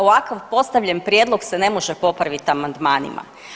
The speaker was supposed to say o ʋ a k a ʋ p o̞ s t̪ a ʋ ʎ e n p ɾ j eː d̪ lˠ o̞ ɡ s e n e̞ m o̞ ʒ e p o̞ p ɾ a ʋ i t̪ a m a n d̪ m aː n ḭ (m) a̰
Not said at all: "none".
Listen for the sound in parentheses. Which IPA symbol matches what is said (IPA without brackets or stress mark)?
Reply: m